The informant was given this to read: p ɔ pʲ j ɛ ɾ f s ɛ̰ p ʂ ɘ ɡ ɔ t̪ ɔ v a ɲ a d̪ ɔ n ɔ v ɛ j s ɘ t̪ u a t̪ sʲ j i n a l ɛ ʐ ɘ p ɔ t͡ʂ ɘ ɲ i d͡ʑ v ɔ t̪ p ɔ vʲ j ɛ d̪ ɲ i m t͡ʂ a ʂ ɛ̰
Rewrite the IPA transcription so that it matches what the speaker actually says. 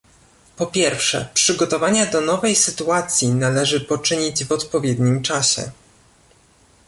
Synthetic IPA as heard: p ɔ pʲ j ɛ ɾ f ʂ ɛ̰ p ʂ ɘ ɡ ɔ t̪ ɔ v a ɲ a d̪ ɔ n ɔ v ɛ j s ɘ t̪ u a t̪ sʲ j i n a l ɛ ʐ ɘ p ɔ t͡ʂ ɘ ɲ i d͡ʑ v ɔ t̪ p ɔ vʲ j ɛ d̪ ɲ i m t͡ʂ a ɕ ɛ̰